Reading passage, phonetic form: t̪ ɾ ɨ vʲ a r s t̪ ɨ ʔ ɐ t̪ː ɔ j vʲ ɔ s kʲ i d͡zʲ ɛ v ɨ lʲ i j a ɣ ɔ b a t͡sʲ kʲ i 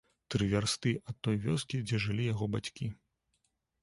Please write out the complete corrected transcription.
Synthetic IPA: t̪ ɾ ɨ vʲ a r s t̪ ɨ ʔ ɐ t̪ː ɔ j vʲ ɔ s kʲ i d͡zʲ ɛ ʐ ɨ lʲ i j a ɣ ɔ b a t͡sʲ kʲ i